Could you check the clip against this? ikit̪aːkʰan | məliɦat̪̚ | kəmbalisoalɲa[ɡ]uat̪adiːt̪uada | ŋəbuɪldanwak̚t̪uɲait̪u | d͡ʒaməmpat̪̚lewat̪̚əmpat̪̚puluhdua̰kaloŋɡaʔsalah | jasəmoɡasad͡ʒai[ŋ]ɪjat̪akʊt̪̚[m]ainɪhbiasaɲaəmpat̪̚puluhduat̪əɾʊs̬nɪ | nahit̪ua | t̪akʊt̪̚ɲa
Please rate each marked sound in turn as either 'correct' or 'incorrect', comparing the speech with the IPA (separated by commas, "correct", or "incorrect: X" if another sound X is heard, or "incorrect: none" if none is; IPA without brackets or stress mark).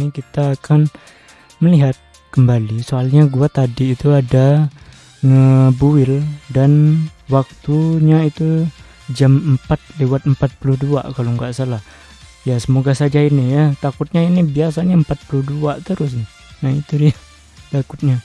correct, incorrect: n, incorrect: ɲ